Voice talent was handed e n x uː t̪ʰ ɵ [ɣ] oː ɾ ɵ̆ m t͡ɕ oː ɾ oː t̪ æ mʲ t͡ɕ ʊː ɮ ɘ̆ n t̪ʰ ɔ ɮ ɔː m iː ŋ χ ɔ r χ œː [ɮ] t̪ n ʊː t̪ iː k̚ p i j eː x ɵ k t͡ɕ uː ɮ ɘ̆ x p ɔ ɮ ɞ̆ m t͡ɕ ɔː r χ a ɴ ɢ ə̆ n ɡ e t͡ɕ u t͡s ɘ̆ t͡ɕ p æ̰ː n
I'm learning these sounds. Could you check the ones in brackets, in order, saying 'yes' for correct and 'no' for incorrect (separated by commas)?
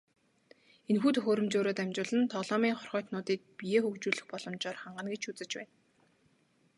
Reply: no, no